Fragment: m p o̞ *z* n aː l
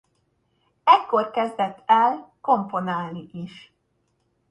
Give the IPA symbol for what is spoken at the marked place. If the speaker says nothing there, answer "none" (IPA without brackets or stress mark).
none